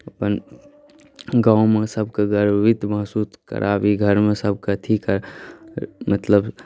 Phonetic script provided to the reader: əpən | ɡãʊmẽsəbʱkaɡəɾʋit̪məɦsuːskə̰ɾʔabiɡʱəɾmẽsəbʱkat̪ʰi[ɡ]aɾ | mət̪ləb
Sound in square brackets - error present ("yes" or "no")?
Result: yes